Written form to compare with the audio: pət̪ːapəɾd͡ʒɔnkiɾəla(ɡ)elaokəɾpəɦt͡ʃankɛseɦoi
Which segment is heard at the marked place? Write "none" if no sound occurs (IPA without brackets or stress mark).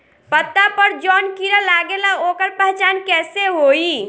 ɡ